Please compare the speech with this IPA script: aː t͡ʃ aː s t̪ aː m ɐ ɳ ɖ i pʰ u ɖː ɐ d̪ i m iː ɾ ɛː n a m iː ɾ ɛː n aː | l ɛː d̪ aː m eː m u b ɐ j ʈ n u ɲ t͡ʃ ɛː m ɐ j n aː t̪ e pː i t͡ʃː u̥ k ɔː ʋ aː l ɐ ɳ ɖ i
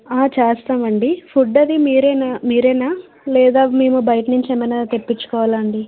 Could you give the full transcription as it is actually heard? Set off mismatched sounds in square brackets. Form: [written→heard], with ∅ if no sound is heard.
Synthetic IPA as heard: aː t͡ʃ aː s t̪ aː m ɐ ɳ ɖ i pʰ u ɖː ɐ d̪ i m iː ɾ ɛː n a m iː ɾ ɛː n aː | l ɛː d̪ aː m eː m u b ɐ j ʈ n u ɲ t͡ʃ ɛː m ɐ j n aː t̪ e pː i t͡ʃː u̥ k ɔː ʋ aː l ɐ ɳ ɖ i